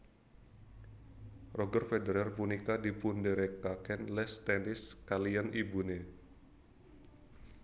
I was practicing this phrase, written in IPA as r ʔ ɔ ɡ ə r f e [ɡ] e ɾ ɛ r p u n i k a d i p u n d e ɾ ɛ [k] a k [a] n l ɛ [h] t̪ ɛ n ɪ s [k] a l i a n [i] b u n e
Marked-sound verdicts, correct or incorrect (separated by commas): incorrect, correct, incorrect, incorrect, correct, correct